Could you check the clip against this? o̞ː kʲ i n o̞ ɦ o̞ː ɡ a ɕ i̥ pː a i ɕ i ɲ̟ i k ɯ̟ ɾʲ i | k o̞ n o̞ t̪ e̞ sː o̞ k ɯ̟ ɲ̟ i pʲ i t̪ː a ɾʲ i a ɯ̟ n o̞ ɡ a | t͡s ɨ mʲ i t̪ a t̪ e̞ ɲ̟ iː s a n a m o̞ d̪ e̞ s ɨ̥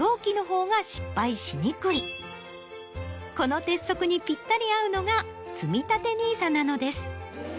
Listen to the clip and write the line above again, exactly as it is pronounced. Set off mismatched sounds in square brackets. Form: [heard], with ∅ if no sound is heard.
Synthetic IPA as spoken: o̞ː kʲ i n o̞ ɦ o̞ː ɡ a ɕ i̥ pː a i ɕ i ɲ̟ i k ɯ̟ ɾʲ i | k o̞ n o̞ t̪ e̞ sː o̞ k ɯ̟ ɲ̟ i pʲ i t̪ː a ɾʲ i a ɯ̟ n o̞ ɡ a | t͡s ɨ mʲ i t̪ a t̪ e̞ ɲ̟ iː s a n a [n] o̞ d̪ e̞ s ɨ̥